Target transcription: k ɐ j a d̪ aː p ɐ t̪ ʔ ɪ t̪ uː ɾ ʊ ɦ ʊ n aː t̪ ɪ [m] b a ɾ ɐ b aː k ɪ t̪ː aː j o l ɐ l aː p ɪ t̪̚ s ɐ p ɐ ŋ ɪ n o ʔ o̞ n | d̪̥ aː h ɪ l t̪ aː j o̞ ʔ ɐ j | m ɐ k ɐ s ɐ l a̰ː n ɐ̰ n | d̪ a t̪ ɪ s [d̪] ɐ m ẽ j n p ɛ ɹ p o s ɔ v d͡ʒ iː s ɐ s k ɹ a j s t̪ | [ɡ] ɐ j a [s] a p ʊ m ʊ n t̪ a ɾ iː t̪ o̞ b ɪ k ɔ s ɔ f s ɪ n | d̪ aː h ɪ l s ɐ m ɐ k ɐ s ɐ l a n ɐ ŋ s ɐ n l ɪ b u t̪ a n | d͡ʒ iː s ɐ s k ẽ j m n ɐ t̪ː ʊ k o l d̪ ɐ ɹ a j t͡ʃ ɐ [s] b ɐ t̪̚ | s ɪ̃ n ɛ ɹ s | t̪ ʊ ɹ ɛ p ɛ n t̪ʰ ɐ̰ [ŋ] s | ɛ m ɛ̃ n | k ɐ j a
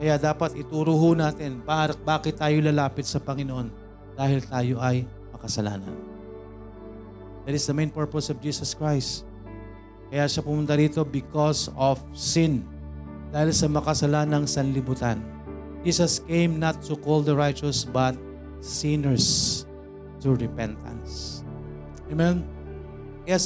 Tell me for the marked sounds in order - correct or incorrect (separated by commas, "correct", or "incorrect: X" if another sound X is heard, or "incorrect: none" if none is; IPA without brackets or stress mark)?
incorrect: n, correct, incorrect: k, incorrect: ʃ, correct, incorrect: n